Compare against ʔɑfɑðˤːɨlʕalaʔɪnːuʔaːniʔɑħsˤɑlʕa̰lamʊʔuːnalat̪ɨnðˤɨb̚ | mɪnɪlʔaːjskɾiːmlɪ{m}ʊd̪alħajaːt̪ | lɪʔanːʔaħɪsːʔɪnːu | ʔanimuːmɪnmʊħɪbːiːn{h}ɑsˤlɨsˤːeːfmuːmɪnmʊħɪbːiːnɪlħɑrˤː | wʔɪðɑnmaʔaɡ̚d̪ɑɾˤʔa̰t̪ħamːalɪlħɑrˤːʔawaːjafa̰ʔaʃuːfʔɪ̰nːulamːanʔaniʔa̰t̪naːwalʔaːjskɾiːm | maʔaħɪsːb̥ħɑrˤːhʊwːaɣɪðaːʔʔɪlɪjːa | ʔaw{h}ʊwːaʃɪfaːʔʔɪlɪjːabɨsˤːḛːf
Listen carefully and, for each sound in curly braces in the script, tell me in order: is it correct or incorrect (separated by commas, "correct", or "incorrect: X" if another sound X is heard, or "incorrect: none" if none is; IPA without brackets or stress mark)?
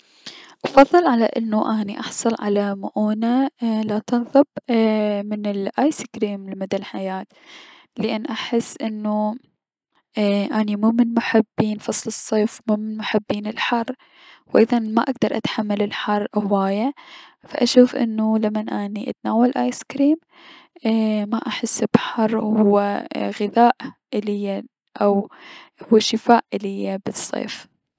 correct, incorrect: f, correct